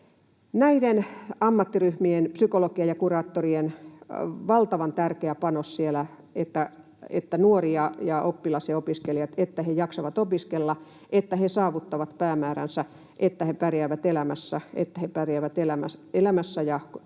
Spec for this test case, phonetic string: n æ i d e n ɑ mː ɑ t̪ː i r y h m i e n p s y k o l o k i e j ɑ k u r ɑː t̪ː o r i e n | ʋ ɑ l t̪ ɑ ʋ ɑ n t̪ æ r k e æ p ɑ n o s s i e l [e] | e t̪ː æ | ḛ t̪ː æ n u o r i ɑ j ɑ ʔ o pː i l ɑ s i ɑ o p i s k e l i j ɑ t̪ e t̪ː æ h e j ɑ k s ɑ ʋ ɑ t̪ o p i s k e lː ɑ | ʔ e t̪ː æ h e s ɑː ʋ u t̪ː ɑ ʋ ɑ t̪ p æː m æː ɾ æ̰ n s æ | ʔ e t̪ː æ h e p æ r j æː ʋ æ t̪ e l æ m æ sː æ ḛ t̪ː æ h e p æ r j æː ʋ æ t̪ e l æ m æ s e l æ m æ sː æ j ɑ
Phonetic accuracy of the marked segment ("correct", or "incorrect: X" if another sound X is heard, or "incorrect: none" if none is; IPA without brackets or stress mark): incorrect: æ